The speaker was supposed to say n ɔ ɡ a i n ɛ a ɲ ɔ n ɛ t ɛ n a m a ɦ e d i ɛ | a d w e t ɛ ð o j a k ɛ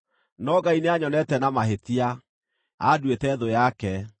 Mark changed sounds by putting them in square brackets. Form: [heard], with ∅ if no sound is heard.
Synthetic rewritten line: n ɔ ɡ a i n [e] a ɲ ɔ n ɛ t ɛ n a m a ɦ e [t] i [a] | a d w e t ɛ ð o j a k ɛ